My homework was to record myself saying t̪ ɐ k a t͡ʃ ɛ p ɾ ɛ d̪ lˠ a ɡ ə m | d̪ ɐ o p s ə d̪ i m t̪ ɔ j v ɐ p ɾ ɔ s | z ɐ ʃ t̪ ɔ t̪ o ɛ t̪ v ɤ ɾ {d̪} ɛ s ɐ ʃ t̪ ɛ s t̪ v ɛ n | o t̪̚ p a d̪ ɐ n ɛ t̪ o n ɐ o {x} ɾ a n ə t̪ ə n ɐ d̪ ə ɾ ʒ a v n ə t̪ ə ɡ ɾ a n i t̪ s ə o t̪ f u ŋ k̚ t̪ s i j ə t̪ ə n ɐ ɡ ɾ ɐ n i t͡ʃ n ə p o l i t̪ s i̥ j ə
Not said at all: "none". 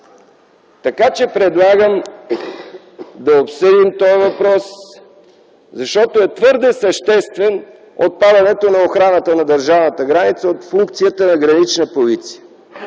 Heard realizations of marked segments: d̪, x

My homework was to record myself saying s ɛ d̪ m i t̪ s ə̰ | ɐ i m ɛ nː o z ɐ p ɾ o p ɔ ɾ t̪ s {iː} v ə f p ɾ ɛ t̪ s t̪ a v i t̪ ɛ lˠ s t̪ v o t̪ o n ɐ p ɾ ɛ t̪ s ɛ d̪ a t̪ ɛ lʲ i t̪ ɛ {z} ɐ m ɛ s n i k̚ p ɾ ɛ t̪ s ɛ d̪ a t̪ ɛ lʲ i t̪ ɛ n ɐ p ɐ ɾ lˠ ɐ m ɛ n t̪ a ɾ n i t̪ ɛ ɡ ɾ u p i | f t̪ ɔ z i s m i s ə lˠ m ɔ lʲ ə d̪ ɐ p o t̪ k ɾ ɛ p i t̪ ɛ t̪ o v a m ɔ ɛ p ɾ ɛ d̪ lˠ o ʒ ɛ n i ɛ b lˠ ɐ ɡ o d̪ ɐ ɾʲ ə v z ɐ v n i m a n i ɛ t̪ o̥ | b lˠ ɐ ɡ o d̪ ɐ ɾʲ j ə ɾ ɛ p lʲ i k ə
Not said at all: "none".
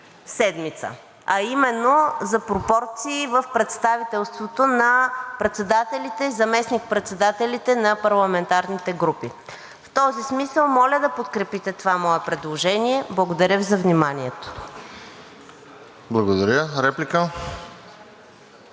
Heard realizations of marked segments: iː, z

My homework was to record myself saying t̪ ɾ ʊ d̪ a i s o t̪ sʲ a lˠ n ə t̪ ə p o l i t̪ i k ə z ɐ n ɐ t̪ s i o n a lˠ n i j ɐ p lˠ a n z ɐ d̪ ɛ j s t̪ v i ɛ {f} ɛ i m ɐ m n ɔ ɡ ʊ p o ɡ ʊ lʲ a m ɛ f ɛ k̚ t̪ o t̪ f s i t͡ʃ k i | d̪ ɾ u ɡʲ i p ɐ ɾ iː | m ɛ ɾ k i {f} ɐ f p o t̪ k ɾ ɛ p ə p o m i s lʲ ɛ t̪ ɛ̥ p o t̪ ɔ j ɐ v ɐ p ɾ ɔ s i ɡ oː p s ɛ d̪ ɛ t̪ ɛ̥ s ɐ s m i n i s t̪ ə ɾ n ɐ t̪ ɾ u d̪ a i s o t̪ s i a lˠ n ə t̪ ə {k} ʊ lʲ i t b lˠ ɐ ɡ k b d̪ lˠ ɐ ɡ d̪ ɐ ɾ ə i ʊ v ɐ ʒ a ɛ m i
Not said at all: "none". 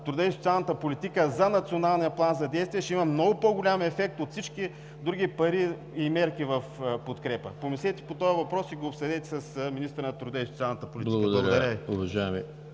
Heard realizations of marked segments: ʃ, v, p

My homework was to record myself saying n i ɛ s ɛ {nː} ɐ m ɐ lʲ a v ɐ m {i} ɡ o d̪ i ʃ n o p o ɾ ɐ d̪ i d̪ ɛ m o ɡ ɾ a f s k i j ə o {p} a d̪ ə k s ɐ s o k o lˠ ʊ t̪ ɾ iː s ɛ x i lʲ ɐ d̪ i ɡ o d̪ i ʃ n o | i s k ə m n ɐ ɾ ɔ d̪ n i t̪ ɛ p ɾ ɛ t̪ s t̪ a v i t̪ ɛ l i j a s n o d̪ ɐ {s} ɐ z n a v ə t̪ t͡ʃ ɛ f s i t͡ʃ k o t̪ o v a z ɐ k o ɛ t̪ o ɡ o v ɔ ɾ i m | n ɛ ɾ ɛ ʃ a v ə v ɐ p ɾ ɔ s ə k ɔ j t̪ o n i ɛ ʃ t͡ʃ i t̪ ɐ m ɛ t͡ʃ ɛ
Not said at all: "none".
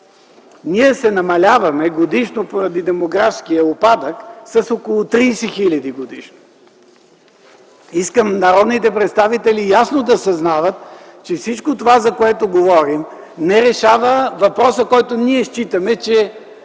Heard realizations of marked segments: n, ɛ, p, s

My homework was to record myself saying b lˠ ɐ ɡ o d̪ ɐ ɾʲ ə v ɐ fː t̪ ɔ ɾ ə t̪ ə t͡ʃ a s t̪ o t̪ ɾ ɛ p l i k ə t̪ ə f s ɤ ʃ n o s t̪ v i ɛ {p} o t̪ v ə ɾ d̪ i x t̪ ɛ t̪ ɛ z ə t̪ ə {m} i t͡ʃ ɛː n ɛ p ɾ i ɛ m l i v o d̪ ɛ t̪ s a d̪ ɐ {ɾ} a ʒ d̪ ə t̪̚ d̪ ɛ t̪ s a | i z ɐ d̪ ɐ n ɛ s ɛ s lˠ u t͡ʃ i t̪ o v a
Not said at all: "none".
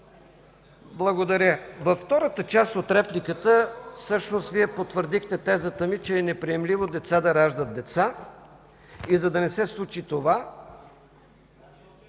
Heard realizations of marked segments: p, m, ɾ

